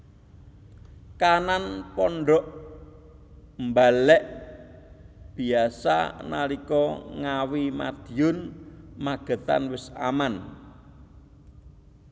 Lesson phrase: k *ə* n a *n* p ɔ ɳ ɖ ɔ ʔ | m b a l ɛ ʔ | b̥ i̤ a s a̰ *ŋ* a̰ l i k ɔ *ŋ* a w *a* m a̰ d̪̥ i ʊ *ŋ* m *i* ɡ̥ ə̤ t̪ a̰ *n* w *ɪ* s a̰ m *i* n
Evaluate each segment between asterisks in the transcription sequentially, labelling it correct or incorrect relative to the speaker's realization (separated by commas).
incorrect, correct, incorrect, correct, incorrect, incorrect, incorrect, correct, correct, incorrect